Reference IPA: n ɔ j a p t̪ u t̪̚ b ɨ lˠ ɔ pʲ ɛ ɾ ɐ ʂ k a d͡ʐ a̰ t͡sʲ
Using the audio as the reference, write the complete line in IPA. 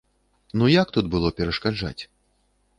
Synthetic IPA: n u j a k t̪ u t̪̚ b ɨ lˠ ɔ pʲ ɛ ɾ ɐ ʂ k a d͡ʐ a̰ t͡sʲ